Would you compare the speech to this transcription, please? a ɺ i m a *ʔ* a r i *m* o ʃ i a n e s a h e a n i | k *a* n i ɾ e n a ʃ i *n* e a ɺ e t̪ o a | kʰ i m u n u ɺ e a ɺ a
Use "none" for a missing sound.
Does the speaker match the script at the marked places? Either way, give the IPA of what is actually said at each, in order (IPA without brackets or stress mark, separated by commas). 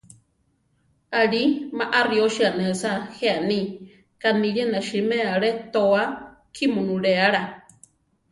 ʔ, none, a, m